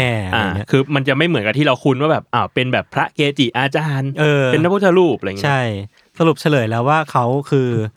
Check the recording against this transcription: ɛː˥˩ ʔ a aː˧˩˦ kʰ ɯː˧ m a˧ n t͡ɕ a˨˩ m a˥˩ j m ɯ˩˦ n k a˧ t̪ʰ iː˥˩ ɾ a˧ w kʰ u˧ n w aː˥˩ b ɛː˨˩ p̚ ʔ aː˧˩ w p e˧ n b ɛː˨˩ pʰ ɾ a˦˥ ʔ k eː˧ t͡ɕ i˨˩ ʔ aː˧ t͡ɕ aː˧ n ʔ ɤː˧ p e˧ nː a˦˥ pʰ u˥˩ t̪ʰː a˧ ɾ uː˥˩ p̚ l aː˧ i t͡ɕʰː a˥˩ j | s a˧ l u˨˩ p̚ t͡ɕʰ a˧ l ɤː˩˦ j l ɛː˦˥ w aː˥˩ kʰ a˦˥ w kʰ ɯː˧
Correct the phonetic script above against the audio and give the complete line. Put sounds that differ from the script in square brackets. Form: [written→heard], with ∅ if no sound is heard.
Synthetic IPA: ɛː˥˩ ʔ a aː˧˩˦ kʰ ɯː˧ m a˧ n t͡ɕ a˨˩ m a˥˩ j m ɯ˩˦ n k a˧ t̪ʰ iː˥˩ ɾ a˧ w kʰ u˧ n w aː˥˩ b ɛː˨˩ p̚ ʔ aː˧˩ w p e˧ n b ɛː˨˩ pʰ ɾ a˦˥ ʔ k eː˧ t͡ɕ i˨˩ ʔ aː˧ t͡ɕ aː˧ n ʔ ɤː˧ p e˧ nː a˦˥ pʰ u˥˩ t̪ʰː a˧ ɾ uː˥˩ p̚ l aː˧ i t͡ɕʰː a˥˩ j | s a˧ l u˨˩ p̚ t͡ɕʰ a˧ l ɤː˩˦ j l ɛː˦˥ w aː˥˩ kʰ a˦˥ w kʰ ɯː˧